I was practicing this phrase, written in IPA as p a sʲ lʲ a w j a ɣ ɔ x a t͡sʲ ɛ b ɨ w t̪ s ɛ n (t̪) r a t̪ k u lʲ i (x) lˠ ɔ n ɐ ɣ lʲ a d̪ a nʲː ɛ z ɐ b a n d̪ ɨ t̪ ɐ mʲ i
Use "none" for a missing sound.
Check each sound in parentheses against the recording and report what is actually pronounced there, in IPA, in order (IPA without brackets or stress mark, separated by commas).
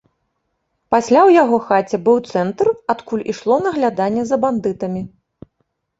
t̪, ʂ